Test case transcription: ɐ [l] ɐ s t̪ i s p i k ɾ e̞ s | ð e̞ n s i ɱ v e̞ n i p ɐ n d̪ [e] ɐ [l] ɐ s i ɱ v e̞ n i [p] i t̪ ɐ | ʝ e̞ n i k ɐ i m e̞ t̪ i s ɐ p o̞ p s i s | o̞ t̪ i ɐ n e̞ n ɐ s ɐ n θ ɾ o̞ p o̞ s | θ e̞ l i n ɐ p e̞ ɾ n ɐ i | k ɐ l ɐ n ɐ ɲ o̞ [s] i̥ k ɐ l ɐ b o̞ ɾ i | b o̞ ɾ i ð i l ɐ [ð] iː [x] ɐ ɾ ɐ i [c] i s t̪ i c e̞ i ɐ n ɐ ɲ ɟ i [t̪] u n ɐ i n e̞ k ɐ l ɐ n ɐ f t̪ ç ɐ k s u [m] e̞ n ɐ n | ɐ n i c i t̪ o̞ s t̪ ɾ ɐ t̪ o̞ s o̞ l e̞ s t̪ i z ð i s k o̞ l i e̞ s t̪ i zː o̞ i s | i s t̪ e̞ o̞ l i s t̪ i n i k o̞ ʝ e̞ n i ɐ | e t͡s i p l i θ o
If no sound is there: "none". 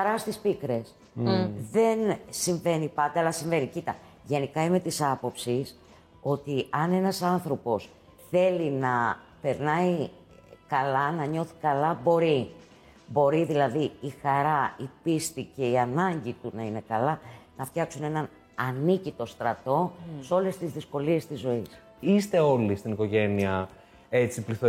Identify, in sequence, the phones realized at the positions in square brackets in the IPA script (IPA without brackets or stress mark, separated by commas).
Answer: ɾ, e, l, c, θ, ð, x, p, t̪, n